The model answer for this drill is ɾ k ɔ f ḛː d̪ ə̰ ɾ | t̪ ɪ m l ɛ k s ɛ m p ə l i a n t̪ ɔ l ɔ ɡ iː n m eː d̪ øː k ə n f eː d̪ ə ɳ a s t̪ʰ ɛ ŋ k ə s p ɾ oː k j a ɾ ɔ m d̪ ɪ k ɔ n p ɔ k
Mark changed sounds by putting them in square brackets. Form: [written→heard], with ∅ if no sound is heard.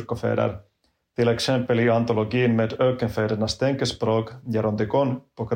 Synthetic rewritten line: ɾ k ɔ f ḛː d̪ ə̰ ɾ | t̪ ɪ [m→∅] l ɛ k s ɛ m p ə l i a n t̪ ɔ l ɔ ɡ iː n m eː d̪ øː k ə n f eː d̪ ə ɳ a s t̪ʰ ɛ ŋ k ə s p ɾ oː k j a ɾ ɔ [m→n] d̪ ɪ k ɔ n p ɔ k